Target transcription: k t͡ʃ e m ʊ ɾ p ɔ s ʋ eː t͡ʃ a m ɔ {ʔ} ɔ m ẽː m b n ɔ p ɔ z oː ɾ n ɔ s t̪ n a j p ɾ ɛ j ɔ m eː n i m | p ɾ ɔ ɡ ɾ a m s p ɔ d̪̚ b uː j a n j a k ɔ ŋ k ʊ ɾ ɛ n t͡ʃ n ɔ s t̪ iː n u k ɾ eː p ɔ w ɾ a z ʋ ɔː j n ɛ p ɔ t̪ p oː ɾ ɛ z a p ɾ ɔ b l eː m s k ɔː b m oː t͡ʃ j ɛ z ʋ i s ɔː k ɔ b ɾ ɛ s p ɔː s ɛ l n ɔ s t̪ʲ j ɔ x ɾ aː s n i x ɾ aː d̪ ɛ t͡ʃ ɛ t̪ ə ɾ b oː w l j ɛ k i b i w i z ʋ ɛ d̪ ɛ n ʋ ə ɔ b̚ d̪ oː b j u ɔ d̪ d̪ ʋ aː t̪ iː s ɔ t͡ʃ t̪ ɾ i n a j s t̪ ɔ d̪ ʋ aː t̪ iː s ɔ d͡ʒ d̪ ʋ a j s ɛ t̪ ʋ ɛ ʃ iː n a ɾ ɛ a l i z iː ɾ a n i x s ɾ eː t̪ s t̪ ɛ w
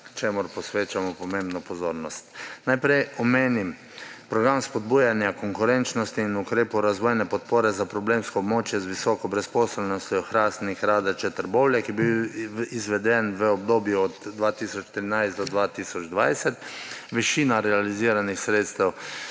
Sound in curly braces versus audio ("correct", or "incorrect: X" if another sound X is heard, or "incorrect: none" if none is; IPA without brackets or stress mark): incorrect: p